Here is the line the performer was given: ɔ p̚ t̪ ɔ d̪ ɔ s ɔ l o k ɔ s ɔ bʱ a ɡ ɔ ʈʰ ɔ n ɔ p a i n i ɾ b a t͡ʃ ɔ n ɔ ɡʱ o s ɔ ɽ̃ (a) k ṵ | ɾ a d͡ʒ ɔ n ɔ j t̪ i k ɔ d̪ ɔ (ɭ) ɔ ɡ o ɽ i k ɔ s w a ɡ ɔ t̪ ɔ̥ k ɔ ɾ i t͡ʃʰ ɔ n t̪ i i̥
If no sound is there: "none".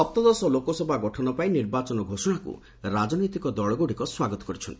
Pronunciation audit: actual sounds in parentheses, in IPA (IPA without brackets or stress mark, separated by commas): a, ɭ